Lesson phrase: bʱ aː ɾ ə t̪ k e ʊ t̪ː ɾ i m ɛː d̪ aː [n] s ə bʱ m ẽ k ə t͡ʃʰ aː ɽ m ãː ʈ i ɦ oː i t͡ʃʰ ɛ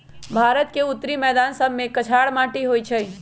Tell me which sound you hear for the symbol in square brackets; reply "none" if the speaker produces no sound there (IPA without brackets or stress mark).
n